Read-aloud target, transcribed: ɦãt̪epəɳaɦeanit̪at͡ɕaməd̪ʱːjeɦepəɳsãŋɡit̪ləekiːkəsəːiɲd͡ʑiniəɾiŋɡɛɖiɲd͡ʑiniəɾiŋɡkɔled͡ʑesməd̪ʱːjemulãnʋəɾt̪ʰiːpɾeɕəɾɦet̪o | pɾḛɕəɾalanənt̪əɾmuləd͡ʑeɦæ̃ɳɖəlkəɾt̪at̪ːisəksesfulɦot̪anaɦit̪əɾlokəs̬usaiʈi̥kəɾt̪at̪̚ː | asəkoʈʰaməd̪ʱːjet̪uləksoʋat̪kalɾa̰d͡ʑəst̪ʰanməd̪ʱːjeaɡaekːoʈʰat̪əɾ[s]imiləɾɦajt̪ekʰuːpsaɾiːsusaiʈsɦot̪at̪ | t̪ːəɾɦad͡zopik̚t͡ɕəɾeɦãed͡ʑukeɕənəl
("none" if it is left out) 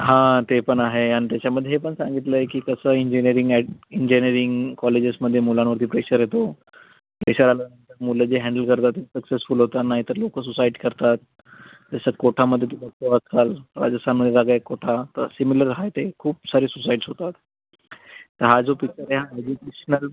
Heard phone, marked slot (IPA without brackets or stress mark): s